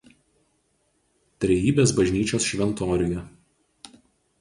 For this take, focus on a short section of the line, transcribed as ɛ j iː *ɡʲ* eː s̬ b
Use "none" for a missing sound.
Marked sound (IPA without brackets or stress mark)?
bʲ